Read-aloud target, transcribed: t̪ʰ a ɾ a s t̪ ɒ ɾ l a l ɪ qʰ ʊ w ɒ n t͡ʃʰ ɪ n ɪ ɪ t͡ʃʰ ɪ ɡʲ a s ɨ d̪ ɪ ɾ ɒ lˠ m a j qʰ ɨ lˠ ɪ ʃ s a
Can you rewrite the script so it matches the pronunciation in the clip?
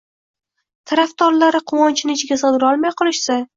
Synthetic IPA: t̪ʰ a ɾ a f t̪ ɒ ɾ l a ɾ ɪ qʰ ʊ w ɒ n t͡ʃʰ ɪ n ɪ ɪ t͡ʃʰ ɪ ɡʲ a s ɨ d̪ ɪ ɾ ɒ lˠ m a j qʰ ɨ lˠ ɪ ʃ s a